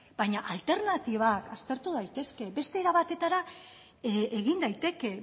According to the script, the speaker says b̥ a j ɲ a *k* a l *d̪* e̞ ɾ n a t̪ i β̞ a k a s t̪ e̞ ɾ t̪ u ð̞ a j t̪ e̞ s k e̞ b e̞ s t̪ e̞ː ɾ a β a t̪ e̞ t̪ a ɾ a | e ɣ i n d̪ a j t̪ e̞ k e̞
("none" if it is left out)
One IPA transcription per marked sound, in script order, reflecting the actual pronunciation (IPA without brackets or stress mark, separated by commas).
ʔ, t̪